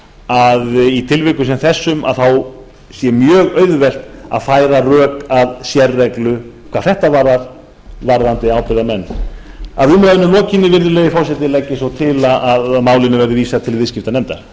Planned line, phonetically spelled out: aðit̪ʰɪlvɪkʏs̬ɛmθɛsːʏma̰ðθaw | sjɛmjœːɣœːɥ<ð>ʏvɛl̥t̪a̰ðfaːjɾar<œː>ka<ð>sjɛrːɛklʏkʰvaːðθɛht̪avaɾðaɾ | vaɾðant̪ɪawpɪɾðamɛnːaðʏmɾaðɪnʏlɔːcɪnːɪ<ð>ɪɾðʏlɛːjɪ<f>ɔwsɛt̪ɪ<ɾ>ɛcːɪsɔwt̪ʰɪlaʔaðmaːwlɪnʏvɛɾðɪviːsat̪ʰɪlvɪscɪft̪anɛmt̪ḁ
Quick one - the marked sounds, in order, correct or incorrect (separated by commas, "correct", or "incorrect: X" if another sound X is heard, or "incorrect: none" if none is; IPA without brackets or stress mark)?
correct, correct, correct, incorrect: v, correct, incorrect: l